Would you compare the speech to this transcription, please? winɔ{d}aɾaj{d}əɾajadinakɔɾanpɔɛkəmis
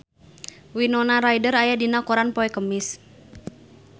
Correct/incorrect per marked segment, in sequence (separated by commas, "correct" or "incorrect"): incorrect, correct